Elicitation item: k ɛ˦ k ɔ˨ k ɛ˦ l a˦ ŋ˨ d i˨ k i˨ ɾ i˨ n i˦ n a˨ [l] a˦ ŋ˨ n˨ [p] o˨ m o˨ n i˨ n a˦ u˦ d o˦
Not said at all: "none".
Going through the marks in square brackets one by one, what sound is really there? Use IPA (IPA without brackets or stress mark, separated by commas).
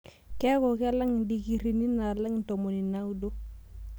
l, t